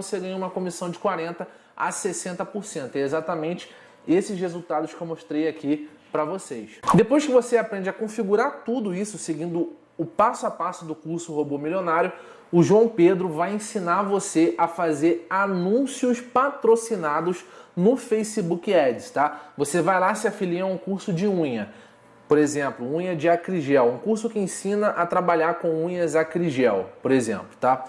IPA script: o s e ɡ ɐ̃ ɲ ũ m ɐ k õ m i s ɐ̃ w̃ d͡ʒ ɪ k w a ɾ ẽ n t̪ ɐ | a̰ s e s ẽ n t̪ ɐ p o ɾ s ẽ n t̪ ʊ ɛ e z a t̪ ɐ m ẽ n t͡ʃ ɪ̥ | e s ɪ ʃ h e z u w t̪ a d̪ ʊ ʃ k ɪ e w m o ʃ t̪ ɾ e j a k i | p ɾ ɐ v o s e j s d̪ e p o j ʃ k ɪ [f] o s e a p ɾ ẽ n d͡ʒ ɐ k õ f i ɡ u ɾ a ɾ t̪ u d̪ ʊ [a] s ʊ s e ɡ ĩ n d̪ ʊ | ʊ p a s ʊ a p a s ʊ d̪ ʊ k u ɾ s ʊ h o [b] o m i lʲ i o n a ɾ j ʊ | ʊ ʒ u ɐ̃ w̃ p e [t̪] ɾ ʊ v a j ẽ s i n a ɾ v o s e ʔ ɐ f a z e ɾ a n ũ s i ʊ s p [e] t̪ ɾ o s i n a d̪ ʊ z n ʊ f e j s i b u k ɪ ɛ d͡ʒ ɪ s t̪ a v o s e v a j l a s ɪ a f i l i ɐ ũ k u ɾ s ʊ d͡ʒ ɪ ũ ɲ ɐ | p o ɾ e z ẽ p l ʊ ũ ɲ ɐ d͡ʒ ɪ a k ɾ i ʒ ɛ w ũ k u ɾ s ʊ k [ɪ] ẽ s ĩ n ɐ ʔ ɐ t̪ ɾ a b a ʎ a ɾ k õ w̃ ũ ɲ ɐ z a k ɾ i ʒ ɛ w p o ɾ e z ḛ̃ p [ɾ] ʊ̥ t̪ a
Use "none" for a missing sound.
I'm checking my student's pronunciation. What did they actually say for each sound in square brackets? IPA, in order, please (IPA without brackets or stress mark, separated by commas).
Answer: v, i, b, d̪, a, ɪ, l